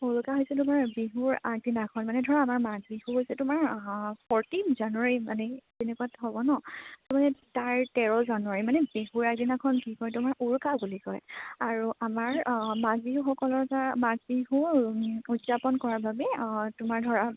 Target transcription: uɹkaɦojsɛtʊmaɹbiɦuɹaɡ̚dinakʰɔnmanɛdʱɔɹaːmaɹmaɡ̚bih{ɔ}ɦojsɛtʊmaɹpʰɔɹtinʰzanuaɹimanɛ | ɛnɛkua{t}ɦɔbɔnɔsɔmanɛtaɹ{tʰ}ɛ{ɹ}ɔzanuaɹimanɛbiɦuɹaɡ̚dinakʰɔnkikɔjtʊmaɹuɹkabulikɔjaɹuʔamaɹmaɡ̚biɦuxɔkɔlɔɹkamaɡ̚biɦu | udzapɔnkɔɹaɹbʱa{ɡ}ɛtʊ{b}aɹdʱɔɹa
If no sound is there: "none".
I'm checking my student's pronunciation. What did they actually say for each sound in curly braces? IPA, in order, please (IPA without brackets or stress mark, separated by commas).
u, t, t, ɹ, b, m